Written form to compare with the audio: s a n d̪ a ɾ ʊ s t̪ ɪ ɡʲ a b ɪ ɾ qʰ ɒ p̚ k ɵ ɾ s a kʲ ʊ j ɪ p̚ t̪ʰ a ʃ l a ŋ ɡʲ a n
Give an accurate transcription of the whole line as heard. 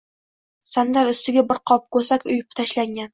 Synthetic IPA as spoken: s a n d̪ a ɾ ʊ s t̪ ɪ ɡʲ a b ɪ ɾ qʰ ɒ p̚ k ɵ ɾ s a kʲ ʊ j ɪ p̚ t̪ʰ a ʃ l a ŋ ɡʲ a n